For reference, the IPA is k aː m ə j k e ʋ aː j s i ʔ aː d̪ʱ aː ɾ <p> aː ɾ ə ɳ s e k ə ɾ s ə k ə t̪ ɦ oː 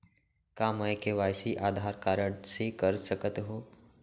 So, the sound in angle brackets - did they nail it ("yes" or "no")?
no